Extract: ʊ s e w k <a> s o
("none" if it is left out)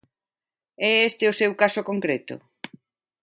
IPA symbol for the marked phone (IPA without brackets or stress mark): a